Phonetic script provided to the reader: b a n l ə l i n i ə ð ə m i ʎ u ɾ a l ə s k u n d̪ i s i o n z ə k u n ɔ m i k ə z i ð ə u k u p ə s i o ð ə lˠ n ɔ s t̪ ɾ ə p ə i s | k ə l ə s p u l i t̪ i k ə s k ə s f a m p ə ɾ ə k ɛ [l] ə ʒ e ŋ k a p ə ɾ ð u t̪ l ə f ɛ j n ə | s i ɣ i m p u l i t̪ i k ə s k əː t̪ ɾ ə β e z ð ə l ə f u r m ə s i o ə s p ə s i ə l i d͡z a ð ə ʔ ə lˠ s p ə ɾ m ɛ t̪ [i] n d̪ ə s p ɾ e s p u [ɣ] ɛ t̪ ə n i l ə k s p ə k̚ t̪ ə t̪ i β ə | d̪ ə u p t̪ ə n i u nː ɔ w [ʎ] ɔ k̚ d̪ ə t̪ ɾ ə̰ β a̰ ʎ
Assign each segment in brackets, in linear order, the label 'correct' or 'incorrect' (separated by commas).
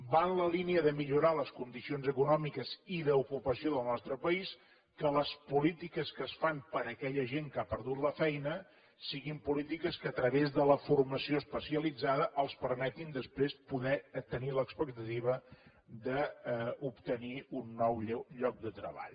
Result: incorrect, correct, incorrect, correct